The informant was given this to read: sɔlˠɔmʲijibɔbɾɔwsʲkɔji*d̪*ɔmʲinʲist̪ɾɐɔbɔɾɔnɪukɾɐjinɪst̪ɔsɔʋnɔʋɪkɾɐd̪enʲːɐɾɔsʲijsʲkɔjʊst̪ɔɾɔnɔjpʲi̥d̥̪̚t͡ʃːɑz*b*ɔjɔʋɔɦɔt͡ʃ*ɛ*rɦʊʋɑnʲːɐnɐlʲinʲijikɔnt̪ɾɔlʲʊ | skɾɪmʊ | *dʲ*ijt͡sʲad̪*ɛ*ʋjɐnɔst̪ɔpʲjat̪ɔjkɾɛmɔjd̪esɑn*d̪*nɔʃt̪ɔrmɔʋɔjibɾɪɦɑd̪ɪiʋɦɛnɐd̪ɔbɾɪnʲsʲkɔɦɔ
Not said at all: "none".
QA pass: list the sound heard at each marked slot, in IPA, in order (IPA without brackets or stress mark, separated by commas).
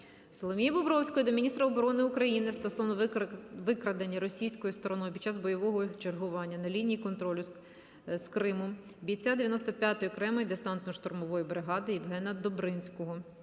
d̪, b, e, bʲ, e, t̪